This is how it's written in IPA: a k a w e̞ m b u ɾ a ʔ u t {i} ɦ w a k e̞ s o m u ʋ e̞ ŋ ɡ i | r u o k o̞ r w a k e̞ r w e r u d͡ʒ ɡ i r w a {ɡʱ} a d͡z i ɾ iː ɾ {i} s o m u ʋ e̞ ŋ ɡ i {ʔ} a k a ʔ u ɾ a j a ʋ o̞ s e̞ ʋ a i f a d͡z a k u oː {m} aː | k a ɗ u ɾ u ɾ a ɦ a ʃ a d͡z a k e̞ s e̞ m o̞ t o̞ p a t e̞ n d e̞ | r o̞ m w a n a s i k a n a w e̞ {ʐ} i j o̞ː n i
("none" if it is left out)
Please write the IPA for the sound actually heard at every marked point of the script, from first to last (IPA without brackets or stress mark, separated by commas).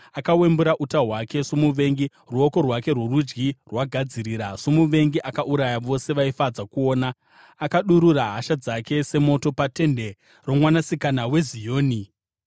a, ɡʱ, a, ʔ, n, z